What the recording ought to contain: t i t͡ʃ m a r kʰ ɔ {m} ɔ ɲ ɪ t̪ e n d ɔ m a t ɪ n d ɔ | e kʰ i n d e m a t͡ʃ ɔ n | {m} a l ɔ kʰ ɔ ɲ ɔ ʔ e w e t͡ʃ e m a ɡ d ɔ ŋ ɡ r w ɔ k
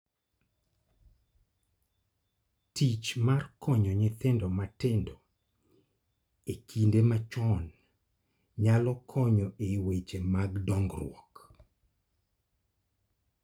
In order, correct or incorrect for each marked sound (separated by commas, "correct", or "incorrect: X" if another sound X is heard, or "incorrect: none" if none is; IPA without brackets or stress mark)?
incorrect: ɲ, incorrect: ɲ